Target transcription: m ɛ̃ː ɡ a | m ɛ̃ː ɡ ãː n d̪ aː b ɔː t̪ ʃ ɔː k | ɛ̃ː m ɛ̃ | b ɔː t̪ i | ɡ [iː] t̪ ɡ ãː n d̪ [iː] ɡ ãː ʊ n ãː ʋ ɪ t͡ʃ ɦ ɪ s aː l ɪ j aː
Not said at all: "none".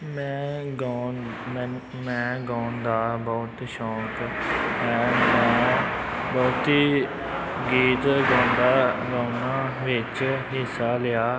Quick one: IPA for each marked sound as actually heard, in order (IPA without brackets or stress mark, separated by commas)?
iː, aː